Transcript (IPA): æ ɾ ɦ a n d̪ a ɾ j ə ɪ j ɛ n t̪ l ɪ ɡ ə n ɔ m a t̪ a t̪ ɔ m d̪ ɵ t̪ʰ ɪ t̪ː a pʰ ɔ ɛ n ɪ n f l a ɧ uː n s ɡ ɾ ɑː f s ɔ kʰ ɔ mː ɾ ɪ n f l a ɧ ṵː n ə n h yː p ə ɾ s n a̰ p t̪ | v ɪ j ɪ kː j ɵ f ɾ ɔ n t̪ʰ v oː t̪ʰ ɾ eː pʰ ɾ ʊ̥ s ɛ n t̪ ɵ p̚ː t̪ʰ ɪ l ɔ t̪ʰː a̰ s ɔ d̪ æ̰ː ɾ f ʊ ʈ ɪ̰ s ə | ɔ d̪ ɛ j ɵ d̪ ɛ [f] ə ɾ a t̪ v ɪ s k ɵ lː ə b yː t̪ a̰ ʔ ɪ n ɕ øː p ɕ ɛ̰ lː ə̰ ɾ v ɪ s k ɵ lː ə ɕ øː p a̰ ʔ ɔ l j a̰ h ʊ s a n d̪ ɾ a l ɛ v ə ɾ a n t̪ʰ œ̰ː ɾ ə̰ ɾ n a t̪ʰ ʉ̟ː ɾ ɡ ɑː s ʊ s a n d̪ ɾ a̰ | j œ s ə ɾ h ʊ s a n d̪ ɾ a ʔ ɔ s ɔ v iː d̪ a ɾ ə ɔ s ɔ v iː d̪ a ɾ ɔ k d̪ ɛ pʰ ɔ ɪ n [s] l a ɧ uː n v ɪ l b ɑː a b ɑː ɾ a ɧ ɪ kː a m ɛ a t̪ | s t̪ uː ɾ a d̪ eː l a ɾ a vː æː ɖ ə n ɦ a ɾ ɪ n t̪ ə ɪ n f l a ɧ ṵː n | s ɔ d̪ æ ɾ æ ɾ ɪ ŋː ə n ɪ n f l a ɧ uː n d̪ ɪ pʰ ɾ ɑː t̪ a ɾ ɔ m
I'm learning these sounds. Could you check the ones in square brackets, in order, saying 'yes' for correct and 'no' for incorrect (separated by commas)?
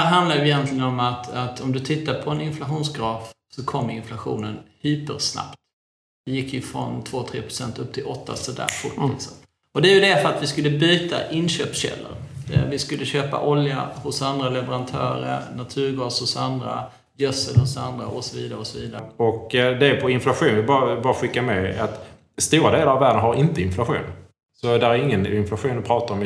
yes, no